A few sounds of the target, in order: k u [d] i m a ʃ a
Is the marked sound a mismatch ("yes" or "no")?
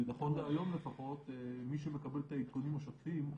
yes